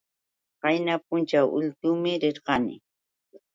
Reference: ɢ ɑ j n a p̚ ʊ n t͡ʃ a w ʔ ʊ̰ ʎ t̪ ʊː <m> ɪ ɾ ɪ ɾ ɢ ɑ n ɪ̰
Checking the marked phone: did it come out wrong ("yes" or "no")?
no